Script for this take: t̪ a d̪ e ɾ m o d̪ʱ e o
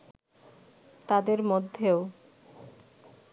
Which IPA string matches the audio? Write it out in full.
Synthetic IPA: t̪ a d̪ e ɾ m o d̪ʱː e o